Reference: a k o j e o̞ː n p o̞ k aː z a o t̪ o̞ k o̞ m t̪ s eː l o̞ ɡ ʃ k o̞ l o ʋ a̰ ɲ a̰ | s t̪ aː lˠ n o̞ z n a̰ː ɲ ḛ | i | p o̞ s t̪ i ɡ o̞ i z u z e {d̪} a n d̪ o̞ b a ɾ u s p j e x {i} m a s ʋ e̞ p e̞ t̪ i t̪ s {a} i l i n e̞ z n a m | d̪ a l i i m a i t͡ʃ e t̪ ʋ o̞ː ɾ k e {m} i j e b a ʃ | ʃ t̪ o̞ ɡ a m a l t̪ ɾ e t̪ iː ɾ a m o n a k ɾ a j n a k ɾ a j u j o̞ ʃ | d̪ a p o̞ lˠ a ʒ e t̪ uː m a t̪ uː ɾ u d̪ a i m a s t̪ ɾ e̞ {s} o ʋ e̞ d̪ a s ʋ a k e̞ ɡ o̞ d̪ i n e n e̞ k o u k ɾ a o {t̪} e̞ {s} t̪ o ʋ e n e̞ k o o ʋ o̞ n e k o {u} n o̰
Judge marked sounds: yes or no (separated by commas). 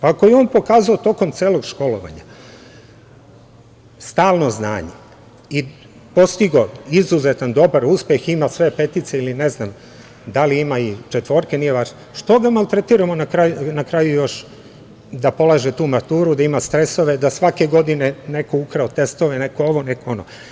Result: no, yes, no, no, yes, yes, yes, no